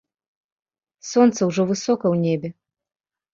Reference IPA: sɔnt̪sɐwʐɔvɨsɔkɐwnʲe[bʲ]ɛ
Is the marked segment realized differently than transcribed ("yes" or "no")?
no